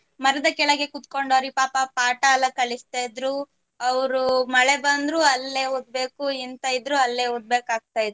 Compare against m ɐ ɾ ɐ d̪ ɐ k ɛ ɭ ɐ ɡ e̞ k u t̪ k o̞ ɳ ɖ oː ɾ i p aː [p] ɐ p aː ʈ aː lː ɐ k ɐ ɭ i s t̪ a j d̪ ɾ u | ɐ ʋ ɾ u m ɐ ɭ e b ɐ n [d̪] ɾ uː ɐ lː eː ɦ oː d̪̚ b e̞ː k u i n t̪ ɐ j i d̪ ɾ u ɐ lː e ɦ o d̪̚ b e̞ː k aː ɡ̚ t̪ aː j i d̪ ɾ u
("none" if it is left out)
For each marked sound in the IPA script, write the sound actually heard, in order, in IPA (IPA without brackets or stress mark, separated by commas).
p, d̪